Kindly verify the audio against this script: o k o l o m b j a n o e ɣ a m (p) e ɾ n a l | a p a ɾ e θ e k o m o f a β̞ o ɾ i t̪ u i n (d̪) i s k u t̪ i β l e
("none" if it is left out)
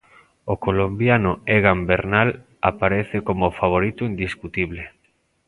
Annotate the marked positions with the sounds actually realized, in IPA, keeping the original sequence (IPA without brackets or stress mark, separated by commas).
b, d̪